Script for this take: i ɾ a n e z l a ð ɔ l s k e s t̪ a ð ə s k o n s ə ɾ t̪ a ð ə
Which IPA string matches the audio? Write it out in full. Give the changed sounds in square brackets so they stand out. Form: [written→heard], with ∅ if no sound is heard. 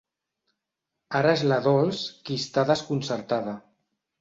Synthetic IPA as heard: [i→a] ɾ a [n→∅] e z l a ð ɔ l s k [e→i] s t̪ a ð ə s k [o→u] n s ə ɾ t̪ a ð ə